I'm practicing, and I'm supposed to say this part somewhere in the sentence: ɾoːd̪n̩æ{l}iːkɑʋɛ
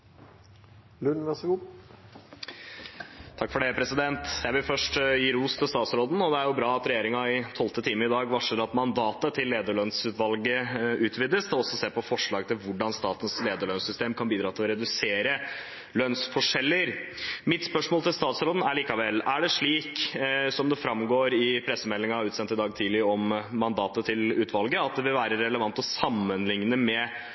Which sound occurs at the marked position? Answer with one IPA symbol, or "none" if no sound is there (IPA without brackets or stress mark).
ɭ